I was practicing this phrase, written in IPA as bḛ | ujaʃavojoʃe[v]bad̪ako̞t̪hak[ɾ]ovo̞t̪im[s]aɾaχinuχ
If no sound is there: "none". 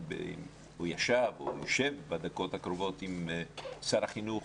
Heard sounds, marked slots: v, ɾ, s

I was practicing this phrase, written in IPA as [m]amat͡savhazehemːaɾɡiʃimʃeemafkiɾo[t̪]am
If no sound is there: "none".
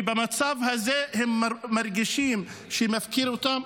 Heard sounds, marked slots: b, t̪

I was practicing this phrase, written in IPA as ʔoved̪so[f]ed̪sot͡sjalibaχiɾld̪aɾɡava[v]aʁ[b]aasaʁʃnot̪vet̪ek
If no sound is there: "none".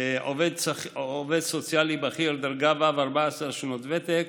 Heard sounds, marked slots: v, v, b

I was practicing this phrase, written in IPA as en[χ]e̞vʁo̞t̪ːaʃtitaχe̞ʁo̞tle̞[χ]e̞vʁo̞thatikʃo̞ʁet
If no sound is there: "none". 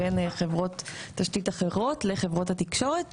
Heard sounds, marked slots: χ, χ

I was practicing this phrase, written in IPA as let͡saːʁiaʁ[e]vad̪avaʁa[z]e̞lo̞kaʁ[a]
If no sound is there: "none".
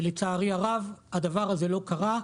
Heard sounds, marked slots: a, z, a

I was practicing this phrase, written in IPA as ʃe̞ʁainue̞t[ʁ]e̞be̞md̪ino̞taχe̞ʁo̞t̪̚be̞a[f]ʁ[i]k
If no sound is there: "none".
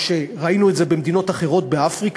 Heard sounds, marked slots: z, f, i

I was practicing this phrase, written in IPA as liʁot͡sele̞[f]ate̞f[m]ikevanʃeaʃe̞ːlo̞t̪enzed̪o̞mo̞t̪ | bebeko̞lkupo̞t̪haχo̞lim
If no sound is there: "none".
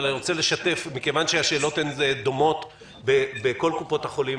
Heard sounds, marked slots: ʃ, m

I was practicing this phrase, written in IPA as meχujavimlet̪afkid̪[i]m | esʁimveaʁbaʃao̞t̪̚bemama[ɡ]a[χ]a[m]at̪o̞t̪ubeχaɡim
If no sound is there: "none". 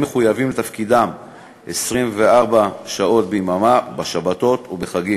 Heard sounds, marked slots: a, b, ʃ, b

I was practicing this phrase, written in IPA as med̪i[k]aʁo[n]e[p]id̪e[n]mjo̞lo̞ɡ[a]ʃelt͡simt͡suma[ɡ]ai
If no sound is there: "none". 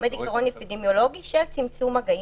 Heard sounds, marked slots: k, n, p, none, i, ɡ

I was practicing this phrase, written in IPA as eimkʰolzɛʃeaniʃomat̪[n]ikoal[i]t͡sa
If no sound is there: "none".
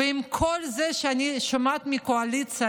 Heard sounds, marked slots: m, i

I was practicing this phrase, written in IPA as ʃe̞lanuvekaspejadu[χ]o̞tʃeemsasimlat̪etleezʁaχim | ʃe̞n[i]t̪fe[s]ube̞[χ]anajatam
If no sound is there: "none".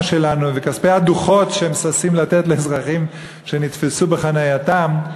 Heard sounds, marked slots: χ, i, s, χ

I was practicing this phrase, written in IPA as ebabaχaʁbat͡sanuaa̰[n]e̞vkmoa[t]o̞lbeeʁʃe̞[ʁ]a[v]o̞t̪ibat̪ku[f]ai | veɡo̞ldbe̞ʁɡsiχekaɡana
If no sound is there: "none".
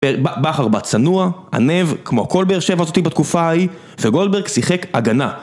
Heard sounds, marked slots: n, k, v, z, f

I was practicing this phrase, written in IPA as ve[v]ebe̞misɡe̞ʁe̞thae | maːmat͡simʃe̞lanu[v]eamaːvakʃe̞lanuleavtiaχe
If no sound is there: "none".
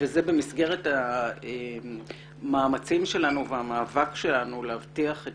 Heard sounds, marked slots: z, v

